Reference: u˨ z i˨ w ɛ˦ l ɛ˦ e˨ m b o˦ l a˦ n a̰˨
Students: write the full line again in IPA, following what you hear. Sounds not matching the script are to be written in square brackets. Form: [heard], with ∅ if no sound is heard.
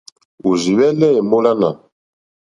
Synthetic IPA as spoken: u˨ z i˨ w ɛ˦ l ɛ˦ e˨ m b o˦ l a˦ n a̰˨